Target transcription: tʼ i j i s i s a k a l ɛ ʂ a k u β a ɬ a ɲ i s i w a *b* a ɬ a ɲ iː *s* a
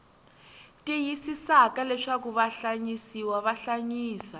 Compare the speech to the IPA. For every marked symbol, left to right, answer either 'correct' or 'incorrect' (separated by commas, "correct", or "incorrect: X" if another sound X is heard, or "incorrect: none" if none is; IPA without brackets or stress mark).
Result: incorrect: β, correct